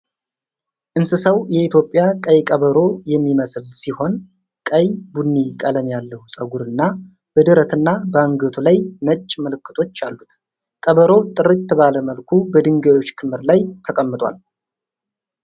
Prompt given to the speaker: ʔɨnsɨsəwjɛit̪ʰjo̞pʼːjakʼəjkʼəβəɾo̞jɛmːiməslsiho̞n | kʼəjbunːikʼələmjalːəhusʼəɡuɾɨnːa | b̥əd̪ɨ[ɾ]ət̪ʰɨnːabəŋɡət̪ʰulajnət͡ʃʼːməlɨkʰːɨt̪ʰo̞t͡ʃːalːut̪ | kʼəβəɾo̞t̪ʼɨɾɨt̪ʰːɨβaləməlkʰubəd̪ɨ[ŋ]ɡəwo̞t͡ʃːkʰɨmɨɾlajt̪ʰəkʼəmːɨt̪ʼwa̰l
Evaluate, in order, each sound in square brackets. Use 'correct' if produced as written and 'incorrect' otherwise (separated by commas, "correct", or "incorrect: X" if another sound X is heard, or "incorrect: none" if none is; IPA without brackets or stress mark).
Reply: correct, correct